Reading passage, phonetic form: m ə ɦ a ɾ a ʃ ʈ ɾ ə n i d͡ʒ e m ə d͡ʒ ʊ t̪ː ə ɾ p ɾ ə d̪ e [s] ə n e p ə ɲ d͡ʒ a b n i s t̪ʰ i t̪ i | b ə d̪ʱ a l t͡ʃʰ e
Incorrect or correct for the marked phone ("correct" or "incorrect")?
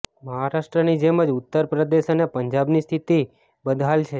incorrect